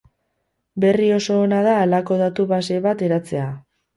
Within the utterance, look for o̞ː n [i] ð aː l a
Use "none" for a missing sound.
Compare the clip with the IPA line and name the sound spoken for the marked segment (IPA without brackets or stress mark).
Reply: a